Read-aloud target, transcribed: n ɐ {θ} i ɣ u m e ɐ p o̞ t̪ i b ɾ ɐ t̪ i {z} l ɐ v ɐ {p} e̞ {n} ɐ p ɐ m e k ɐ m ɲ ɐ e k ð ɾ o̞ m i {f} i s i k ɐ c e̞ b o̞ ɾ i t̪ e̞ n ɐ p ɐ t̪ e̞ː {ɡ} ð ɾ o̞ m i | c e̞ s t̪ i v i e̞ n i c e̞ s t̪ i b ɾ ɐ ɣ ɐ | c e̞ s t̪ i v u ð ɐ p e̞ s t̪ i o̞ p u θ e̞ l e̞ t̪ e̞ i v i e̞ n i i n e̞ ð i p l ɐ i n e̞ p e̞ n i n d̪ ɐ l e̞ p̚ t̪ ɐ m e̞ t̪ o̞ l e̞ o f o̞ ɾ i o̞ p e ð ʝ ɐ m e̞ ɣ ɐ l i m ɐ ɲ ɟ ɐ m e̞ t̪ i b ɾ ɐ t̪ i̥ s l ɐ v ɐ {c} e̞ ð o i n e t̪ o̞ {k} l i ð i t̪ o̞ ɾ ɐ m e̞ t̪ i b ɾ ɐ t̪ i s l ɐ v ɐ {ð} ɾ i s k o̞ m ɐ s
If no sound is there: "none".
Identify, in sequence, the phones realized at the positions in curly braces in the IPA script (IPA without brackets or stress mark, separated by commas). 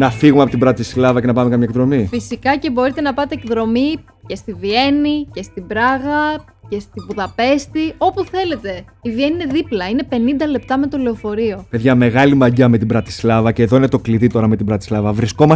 f, s, c, n, f, k, c, k, v